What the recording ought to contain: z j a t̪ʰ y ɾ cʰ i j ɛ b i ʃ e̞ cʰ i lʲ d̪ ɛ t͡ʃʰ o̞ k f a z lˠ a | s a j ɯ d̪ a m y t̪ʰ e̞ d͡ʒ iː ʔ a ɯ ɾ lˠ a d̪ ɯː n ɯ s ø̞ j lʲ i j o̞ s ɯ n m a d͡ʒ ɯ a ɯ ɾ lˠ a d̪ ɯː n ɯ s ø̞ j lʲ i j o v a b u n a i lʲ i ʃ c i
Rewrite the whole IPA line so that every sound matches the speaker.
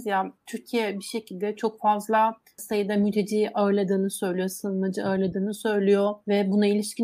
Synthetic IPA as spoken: z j a t̪ʰ y ɾ cʰ i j ɛ b i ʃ e̞ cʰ i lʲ d̪ ɛ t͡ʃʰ o̞ k f a z lˠ a | s a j ɯ d̪ a m y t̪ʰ e̞ d͡ʒ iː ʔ a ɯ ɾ lˠ a d̪ ɯː n ɯ s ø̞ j lʲ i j o̞ s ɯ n m a d͡ʒ ɯ a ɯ ɾ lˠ a d̪ ɯː n ɯ s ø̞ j lʲ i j o v ɛ b u n a i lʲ i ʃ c i